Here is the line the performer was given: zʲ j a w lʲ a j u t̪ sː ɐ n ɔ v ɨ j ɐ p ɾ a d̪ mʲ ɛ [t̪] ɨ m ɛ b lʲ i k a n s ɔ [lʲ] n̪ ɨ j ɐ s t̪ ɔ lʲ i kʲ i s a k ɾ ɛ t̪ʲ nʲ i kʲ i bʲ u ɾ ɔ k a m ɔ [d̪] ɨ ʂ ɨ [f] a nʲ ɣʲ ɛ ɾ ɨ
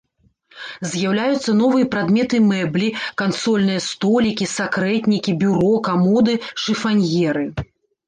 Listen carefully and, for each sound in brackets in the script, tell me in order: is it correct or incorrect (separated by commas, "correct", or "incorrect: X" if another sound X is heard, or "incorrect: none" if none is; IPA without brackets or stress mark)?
correct, correct, correct, correct